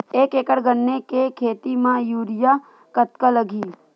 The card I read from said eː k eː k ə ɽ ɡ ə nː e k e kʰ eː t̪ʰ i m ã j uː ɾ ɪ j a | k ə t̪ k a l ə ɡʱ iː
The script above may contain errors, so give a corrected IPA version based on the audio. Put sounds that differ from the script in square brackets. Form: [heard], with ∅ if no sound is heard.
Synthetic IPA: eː k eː k ə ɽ ɡ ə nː e k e kʰ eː [t̪] i m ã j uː ɾ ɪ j a | k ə t̪ k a l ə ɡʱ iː